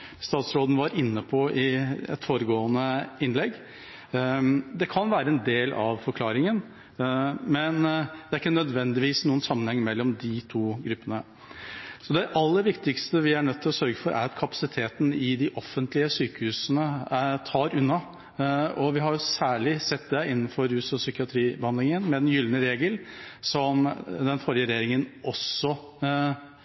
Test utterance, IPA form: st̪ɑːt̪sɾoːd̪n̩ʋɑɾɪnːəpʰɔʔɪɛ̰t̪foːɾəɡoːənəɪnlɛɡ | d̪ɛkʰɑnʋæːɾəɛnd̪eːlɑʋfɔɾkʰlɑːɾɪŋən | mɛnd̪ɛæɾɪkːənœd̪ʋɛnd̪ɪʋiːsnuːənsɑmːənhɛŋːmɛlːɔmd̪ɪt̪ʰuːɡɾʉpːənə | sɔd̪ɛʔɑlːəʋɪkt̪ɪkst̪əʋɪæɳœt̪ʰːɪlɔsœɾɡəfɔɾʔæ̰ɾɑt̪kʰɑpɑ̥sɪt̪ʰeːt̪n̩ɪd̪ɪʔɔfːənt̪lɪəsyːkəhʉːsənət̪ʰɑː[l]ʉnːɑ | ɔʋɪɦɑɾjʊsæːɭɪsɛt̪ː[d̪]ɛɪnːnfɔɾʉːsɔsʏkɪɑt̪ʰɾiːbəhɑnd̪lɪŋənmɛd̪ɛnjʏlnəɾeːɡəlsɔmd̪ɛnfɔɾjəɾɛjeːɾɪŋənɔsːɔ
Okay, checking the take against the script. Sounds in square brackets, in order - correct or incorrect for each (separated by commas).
incorrect, correct